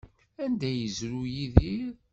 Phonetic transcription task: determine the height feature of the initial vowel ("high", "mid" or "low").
low